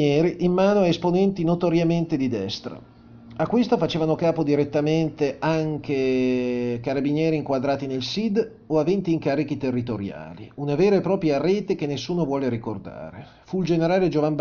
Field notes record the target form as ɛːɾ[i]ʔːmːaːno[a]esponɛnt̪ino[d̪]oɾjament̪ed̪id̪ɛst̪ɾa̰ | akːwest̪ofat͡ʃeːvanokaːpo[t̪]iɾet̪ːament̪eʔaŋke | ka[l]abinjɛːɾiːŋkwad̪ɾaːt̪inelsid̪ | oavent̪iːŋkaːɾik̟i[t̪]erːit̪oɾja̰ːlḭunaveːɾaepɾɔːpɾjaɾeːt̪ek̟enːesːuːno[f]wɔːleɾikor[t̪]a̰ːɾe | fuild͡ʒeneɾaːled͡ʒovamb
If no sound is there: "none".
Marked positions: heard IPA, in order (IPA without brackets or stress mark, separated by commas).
i, a, t̪, d̪, ɾ, t̪, v, d̪